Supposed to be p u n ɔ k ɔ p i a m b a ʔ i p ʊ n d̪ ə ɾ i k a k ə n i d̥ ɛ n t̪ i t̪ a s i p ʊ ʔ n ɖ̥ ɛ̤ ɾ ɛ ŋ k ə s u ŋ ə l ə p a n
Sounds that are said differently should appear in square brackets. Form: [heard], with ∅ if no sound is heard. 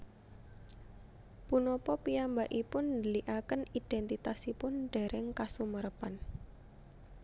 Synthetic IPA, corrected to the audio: p u n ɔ [p] ɔ p i a m b a ʔ i p ʊ n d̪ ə [l] i [ʔ] a k ə n i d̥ ɛ n t̪ i t̪ a s i p ʊ [∅] n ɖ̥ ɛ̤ ɾ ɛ ŋ k [a] s u [m] ə [ɾ] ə p a n